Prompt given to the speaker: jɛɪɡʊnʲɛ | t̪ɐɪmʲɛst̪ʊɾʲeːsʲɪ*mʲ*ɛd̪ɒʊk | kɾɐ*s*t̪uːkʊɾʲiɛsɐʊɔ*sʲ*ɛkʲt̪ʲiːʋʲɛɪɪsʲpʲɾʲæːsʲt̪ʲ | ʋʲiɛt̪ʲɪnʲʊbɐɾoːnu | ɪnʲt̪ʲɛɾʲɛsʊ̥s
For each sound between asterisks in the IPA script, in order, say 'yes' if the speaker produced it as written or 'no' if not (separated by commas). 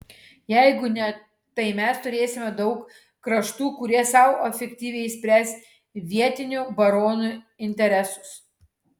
yes, no, no